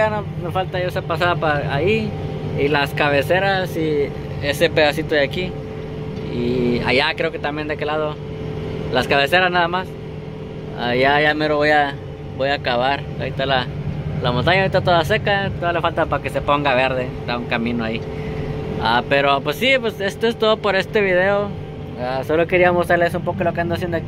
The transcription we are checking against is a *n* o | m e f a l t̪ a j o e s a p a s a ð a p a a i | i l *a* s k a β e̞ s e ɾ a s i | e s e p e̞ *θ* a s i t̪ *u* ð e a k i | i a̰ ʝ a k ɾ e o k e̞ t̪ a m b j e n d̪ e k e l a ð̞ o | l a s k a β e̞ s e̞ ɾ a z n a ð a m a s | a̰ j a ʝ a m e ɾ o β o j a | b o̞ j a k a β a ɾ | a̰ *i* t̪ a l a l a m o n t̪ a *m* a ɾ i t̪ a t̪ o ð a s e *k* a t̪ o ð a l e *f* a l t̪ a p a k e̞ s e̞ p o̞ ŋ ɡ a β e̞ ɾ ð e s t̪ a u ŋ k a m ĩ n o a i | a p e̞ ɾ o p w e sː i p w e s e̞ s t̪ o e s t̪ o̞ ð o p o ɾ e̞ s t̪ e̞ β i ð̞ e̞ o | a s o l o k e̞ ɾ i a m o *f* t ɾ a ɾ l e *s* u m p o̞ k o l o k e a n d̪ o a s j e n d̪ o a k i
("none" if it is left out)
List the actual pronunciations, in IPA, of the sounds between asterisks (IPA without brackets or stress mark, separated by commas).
n, a, ð, o, i, ɲ, k, f, s, s